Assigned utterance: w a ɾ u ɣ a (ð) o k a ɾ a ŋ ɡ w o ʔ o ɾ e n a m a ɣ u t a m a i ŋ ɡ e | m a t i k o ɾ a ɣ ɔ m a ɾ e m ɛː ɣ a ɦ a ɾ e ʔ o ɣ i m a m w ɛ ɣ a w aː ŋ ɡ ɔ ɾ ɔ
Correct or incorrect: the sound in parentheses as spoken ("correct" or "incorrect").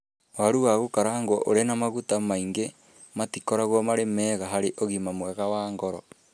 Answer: incorrect